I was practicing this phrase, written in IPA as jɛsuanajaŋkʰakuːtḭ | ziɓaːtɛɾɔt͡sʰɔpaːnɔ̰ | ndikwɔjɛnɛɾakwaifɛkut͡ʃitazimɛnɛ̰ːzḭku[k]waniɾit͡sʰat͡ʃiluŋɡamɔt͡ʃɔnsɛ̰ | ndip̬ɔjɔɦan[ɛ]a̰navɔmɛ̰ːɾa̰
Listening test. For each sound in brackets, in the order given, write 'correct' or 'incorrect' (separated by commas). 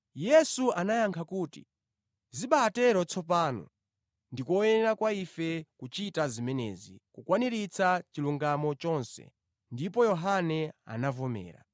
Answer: correct, correct